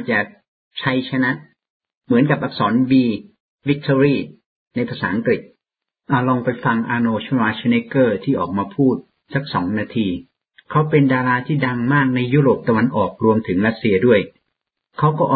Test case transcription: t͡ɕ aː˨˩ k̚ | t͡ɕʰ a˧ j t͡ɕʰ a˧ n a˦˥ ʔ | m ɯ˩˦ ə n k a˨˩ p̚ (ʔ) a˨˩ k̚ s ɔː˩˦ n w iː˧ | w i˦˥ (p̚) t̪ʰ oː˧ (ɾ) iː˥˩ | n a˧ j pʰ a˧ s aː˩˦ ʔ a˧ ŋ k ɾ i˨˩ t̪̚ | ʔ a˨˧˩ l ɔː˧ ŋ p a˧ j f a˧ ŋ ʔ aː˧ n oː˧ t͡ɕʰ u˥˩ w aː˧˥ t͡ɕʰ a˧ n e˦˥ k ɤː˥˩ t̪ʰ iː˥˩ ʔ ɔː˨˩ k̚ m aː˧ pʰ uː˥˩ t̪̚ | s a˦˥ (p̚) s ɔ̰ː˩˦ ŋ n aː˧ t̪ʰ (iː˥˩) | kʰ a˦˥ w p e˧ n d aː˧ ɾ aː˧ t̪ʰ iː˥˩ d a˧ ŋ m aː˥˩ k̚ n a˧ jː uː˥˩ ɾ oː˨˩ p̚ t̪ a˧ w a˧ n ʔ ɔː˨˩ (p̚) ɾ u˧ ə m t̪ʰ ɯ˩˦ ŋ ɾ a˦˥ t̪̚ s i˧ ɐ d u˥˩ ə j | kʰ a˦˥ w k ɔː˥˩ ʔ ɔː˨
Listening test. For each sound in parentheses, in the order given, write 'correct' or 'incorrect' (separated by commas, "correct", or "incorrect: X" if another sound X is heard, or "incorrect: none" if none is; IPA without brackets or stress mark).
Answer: correct, incorrect: k̚, correct, incorrect: k̚, incorrect: iː˧, incorrect: k̚